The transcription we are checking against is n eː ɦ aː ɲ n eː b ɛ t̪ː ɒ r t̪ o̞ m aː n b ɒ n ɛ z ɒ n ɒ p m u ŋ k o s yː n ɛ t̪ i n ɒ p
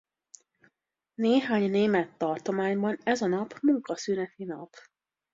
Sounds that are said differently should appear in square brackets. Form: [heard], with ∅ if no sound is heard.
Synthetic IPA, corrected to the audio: n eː ɦ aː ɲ n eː [m] ɛ t̪ː ɒ r t̪ o̞ m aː [ɲ] b ɒ n ɛ z ɒ n ɒ p m u ŋ k [ɒ] s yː n ɛ t̪ i n ɒ p